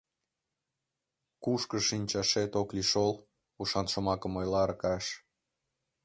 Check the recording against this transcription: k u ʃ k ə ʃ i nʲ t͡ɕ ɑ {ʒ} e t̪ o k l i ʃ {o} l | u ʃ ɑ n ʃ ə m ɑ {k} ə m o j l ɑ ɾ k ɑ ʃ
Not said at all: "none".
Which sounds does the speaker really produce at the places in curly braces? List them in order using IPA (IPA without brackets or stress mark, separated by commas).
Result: ʃ, o, k